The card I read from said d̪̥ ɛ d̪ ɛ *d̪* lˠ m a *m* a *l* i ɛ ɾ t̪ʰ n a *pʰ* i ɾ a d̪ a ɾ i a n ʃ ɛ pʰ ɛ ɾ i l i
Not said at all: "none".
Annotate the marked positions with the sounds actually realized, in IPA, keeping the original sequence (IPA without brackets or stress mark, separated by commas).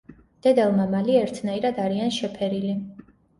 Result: none, m, l, none